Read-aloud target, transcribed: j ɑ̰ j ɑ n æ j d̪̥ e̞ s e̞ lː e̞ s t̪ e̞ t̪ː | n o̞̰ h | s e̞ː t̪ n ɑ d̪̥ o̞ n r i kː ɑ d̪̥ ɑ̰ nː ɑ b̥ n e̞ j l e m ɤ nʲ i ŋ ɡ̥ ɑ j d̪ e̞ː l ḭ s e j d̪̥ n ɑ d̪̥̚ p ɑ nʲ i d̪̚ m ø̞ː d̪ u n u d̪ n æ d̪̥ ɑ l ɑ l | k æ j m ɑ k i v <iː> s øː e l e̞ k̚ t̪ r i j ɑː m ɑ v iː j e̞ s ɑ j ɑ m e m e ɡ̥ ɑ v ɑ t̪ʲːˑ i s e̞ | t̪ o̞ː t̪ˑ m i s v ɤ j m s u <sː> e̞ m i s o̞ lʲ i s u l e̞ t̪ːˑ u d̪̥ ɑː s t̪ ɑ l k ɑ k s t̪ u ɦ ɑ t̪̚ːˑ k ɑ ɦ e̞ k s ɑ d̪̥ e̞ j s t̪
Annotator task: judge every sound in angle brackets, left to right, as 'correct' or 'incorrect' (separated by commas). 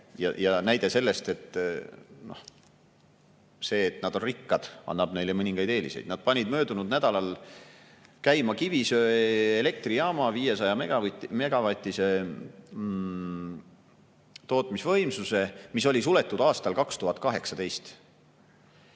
incorrect, incorrect